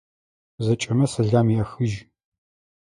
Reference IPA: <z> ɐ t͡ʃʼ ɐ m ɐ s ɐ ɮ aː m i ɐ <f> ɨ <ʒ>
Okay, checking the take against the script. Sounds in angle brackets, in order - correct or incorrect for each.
correct, incorrect: x, correct

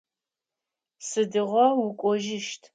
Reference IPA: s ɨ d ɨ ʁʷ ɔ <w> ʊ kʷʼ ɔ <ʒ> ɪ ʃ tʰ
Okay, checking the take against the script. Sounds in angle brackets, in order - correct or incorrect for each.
correct, correct

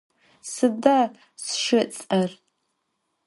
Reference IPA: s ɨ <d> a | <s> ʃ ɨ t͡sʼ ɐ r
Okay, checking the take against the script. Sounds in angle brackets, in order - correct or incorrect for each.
correct, correct

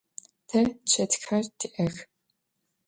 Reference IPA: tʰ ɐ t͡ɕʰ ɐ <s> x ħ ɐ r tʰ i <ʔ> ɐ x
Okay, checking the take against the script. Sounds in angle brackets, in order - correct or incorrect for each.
incorrect: t, correct

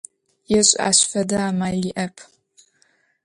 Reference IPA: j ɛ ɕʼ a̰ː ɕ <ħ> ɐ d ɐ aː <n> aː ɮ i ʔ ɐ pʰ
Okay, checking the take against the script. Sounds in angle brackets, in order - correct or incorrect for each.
incorrect: f, incorrect: m

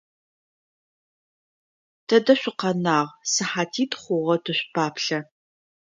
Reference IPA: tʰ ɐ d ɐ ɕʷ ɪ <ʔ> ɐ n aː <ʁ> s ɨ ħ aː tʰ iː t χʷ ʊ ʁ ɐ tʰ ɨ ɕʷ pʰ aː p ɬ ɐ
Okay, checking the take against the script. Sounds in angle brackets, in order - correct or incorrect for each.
incorrect: q, correct

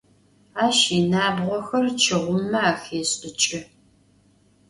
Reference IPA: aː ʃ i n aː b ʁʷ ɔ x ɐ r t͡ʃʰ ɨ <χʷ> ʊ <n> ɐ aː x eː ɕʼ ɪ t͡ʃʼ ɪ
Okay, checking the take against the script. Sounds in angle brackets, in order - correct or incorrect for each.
incorrect: ʁʷ, incorrect: m

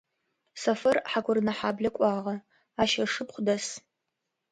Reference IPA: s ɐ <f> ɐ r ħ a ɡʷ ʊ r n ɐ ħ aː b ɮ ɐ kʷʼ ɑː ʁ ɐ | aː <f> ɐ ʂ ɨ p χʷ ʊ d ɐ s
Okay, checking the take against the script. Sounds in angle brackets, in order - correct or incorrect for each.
correct, incorrect: ʃ

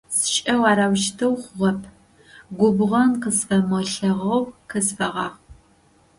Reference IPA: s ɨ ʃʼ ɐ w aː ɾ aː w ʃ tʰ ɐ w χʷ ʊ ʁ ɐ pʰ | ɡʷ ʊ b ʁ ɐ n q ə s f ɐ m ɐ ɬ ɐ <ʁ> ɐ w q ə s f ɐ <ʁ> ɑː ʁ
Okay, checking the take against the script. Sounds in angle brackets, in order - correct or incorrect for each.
correct, correct

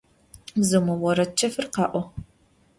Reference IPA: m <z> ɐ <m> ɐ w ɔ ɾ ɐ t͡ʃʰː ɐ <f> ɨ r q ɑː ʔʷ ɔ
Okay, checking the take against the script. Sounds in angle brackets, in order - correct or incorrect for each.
correct, correct, correct

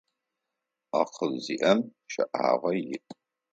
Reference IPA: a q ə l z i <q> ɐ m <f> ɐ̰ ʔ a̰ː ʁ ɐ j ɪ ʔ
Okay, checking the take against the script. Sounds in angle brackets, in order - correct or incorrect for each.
incorrect: ʔ, incorrect: ʃ

